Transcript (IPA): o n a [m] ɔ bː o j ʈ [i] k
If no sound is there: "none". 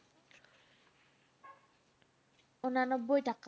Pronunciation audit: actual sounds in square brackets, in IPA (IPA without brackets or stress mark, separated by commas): n, a